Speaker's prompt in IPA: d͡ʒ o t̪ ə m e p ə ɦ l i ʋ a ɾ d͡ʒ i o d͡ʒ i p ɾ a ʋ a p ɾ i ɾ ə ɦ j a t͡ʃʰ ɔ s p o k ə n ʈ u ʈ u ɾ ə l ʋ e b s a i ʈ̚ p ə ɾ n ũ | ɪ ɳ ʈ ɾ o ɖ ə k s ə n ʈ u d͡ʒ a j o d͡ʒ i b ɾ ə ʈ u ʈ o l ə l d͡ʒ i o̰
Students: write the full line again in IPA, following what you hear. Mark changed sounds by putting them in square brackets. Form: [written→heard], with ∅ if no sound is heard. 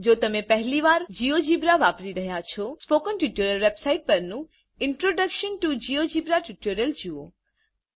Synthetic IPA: d͡ʒ o t̪ ə m e p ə ɦ l i ʋ a ɾ d͡ʒ i o d͡ʒ i [p→b] ɾ a ʋ a p ɾ i ɾ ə ɦ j a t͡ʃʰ ɔ s p o k ə n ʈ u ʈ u ɾ ə l ʋ e b s a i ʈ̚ p ə ɾ n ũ | ɪ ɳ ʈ ɾ o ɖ ə k [s→ʃ] ə n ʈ u d͡ʒ [a→i] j o d͡ʒ i b ɾ [ə→a] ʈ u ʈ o [l→ɾ] ə l d͡ʒ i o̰

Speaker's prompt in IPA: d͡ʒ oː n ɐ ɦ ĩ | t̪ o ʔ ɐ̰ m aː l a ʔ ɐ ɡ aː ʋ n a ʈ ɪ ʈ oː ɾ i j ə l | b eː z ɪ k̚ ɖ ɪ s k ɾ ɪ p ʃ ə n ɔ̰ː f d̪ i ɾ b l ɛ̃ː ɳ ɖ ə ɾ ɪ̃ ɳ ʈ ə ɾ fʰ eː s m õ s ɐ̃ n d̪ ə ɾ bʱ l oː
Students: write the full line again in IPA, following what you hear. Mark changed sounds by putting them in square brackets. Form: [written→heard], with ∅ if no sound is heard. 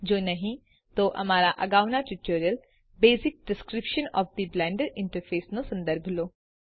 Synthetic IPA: d͡ʒ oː n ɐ ɦ ĩ | t̪ o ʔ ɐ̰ m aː [l→ɾ] a ʔ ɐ ɡ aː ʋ n a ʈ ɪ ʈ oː ɾ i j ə l | b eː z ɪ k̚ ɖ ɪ s k ɾ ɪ p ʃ ə n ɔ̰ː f d̪ i [ɾ→∅] b l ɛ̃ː ɳ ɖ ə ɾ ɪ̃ ɳ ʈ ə ɾ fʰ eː s [m→n] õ s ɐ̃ n d̪ ə ɾ bʱ l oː

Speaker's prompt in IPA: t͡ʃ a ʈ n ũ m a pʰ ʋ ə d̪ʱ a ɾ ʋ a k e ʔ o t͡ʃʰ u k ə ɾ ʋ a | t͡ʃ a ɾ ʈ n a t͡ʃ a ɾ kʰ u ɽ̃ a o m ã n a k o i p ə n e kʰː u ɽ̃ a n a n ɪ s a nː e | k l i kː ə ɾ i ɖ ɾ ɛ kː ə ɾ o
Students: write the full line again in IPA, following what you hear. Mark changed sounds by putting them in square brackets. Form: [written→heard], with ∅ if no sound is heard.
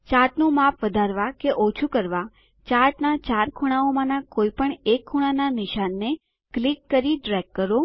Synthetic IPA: t͡ʃ a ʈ n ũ m a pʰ ʋ ə d̪ʱ a ɾ ʋ a k e ʔ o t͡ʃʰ u k ə ɾ ʋ a | t͡ʃ a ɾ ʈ n a t͡ʃ a ɾ kʰ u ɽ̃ a o m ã n a k o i p ə [n→ɳ] e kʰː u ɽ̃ a n a n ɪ [s→ʃ] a nː e | k l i kː ə ɾ i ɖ ɾ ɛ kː ə ɾ o

